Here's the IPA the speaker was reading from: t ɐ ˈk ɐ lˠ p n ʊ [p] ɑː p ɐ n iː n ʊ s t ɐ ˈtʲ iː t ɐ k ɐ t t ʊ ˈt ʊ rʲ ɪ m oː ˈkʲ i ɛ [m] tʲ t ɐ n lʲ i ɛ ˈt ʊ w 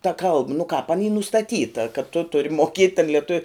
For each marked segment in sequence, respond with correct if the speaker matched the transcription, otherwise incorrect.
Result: incorrect, incorrect

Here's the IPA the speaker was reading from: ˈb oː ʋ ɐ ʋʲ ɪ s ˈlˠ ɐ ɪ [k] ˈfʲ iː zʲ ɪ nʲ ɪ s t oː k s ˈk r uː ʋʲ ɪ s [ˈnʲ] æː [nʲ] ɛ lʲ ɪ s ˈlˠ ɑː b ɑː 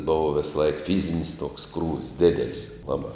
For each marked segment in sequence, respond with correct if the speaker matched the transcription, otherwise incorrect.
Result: correct, incorrect, incorrect

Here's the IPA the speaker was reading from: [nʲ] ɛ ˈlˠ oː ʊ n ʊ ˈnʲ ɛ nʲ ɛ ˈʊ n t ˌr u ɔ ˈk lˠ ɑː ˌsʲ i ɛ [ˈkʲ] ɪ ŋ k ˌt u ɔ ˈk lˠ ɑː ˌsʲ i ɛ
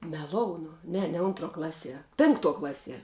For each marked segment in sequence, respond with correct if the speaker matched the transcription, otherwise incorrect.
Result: incorrect, incorrect

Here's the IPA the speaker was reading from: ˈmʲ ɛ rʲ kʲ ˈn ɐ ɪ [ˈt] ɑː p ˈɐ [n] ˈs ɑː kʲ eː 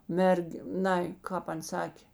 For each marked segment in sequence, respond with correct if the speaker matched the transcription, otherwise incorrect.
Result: incorrect, correct

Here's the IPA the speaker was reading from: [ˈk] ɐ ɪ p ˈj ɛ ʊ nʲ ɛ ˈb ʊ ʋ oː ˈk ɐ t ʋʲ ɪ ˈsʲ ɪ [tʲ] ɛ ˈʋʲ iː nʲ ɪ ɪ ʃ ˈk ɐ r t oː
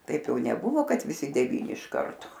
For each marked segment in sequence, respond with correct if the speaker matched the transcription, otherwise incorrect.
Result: incorrect, incorrect

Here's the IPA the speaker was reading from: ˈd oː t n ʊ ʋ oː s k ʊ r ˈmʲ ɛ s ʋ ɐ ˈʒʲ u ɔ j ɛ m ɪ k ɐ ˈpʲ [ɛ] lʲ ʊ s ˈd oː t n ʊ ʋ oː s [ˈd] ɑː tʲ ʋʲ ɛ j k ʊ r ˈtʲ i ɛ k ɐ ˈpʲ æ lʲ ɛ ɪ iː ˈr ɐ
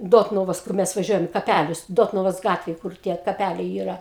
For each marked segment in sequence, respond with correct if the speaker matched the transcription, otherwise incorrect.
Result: incorrect, incorrect

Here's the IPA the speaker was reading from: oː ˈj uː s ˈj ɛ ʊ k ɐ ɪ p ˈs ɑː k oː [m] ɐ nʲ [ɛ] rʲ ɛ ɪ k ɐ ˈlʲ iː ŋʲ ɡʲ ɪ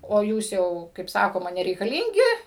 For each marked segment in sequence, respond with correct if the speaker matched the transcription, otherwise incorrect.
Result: correct, correct

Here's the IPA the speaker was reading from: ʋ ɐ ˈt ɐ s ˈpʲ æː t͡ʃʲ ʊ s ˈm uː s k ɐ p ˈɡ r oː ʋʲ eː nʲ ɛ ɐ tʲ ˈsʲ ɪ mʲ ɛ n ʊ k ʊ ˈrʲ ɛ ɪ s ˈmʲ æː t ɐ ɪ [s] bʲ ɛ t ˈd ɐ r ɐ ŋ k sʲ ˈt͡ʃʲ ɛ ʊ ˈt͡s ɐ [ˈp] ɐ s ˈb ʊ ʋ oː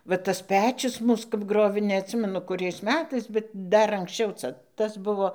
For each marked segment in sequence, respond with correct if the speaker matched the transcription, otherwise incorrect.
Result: correct, incorrect

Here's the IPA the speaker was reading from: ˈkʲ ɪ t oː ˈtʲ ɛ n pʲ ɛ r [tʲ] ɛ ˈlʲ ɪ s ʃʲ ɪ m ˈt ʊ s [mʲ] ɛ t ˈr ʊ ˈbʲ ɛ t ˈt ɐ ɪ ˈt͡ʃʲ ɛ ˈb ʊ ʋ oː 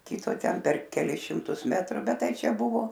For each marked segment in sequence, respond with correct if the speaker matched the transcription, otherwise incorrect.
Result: incorrect, correct

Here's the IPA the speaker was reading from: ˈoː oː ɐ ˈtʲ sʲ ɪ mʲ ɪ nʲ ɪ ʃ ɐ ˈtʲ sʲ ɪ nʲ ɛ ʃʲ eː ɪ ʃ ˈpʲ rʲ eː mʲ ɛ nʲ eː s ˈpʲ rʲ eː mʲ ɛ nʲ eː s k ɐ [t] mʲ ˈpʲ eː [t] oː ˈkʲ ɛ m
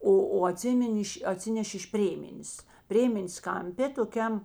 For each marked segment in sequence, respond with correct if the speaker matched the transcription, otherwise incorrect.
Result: incorrect, correct

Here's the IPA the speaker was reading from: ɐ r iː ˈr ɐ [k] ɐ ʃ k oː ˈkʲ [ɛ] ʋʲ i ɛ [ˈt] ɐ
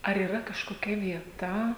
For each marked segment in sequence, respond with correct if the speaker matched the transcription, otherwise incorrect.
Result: correct, correct, correct

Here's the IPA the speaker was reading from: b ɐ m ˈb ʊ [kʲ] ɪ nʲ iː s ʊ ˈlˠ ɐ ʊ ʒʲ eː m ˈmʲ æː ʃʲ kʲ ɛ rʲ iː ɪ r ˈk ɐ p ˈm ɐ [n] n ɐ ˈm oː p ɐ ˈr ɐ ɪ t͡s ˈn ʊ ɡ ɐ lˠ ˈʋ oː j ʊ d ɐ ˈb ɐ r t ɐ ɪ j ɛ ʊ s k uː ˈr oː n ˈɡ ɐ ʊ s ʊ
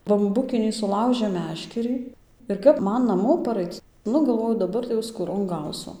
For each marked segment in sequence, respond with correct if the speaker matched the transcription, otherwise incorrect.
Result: correct, correct

